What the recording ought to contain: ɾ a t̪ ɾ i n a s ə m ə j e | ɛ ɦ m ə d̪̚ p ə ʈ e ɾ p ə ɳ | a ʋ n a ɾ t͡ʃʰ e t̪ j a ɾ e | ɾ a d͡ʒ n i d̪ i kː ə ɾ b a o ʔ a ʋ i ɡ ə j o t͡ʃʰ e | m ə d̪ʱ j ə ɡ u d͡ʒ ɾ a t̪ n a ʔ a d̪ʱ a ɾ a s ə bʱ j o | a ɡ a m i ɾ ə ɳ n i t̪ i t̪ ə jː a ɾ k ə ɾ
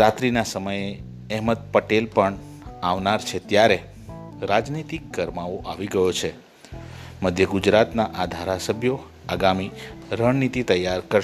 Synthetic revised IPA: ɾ a t̪ ɾ i n a s ə m ə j e | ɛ ɦ m ə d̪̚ p ə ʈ e l p ə ɳ | a ʋ n a ɾ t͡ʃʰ e t̪ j a ɾ e | ɾ a d͡ʒ n i t̪ i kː ə ɾ m a o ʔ a ʋ i ɡ ə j o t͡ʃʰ e | m ə d̪ʱ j ə ɡ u d͡ʒ ɾ a t̪ n a ʔ a d̪ʱ a ɾ a s ə bʱ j o | a ɡ a m i ɾ ə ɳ n i t̪ i t̪ ə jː a ɾ k ə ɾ